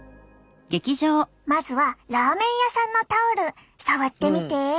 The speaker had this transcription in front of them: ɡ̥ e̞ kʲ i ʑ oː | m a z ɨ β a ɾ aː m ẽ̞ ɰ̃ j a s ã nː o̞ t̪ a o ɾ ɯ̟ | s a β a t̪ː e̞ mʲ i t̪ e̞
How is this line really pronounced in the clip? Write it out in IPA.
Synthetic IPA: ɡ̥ e̞ kʲ i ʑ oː | m a z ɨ β a ɾ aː m ẽ̞ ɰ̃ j a s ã nː o̞ t̪ a o ɾ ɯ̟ | s a β a t̪ː e̞ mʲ i t̪ e̞